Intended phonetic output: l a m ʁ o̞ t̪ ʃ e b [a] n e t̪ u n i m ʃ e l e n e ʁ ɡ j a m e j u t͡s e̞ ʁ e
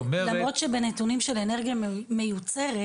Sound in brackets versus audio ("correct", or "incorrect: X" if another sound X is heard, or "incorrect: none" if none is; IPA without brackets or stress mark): incorrect: e